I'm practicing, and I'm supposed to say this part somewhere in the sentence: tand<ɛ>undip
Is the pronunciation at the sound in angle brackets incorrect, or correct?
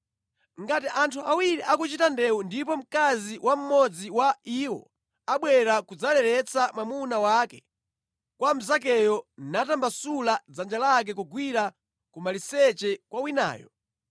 correct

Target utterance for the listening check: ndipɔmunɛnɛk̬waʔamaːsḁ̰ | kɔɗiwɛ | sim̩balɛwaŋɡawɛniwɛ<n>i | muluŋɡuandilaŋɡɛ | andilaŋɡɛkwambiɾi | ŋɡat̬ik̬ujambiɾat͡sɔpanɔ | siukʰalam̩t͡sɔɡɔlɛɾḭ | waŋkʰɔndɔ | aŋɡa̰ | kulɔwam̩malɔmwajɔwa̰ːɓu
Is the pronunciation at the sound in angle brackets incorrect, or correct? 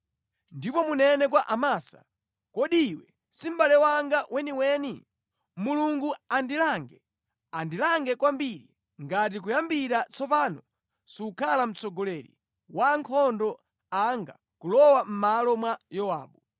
correct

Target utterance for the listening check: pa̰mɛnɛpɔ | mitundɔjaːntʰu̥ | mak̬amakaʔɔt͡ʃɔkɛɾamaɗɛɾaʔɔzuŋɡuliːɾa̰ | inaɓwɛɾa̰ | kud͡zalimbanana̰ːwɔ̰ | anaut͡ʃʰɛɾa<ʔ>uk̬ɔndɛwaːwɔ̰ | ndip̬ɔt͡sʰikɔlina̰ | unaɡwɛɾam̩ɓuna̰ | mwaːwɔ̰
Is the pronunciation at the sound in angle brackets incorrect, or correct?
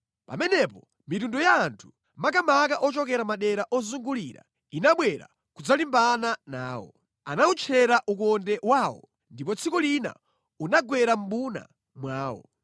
correct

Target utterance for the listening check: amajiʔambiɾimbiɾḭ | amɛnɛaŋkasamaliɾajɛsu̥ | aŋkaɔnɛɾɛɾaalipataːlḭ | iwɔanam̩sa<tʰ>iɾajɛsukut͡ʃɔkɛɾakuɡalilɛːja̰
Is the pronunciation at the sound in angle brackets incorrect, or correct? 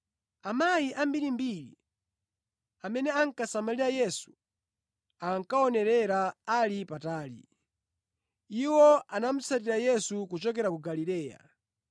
incorrect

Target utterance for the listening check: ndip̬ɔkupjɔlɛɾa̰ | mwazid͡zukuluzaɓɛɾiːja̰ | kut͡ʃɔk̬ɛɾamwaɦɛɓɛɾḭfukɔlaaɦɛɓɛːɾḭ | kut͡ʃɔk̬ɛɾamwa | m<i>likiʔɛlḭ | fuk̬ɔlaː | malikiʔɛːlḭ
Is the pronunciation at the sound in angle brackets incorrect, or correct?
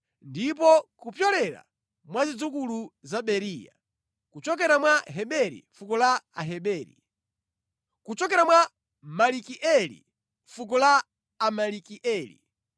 incorrect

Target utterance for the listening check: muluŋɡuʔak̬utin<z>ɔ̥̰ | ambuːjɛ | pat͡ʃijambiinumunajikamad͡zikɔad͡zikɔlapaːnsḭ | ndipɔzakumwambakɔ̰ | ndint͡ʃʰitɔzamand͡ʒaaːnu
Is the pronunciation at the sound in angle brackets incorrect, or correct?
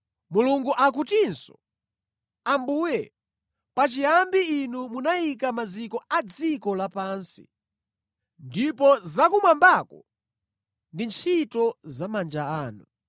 incorrect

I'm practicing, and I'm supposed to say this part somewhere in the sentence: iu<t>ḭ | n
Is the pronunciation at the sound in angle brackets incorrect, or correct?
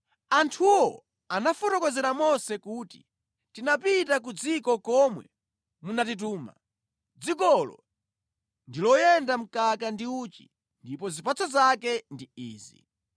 incorrect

